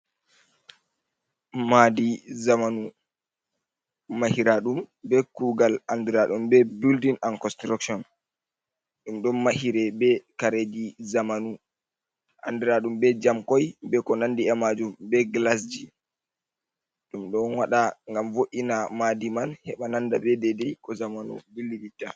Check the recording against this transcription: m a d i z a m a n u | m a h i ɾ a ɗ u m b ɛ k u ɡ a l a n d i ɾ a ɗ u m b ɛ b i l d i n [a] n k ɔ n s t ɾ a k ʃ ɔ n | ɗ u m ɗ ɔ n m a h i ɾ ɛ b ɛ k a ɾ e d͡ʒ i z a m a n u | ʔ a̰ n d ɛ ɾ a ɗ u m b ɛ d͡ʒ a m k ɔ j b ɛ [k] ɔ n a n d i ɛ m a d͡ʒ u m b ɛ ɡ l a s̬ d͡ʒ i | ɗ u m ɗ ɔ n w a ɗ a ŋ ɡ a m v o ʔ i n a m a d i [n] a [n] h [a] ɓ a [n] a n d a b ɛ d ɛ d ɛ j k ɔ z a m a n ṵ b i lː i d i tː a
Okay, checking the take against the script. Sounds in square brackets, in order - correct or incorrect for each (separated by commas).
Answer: correct, correct, incorrect, correct, incorrect, correct